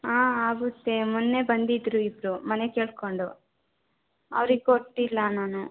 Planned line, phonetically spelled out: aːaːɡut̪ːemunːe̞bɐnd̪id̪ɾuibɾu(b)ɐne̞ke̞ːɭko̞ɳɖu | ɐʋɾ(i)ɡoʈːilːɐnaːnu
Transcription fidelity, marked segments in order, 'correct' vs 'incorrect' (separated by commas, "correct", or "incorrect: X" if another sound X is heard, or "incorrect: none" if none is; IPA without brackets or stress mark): incorrect: m, correct